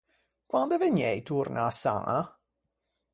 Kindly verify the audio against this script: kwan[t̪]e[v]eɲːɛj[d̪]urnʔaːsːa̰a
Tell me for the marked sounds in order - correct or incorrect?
incorrect, correct, incorrect

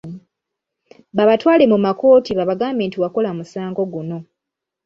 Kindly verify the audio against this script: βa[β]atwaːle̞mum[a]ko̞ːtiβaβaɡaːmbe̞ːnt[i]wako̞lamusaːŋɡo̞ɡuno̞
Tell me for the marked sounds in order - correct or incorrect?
correct, correct, correct

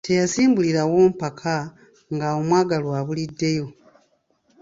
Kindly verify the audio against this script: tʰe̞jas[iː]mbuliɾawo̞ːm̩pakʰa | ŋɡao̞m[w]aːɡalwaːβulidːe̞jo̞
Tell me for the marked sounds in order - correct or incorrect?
correct, correct

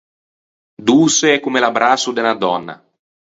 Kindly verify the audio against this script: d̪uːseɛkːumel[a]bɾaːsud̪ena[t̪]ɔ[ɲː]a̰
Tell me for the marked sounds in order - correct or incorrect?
correct, incorrect, incorrect

